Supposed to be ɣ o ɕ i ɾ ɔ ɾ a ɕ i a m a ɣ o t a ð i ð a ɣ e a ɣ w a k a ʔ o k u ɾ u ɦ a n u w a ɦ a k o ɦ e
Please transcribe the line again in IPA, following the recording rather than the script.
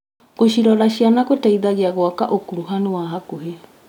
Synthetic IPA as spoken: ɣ o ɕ i ɾ ɔ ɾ a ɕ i a n a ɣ o t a i ð a ɣ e a ɣ w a k a ʔ o k u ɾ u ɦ a n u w a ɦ a k o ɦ e